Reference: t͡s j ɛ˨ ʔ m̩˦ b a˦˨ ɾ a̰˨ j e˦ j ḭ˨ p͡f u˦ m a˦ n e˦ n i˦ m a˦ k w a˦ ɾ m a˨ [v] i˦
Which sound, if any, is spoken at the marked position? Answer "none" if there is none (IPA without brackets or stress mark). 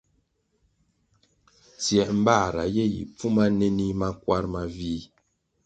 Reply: v